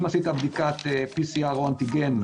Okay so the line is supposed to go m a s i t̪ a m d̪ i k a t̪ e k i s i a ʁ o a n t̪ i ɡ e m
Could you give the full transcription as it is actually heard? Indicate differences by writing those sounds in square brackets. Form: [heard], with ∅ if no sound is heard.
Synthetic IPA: m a s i t̪ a [b] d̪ i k a t̪ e [p] i s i a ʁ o a n t̪ i ɡ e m